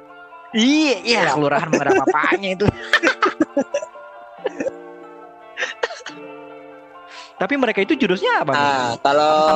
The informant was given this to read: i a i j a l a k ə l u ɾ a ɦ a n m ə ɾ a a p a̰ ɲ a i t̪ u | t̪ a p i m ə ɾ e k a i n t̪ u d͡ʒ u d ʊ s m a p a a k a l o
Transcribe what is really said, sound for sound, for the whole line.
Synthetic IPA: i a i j a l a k ə l u ɾ a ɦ a n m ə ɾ a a p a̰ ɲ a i t̪ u | t̪ a p i m ə ɾ e k a i t̪ u d͡ʒ u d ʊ s ɲ a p a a k a l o